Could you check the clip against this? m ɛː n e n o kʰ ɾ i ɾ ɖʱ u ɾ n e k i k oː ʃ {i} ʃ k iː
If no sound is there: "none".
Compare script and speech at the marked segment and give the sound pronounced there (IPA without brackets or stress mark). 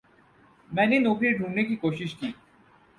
i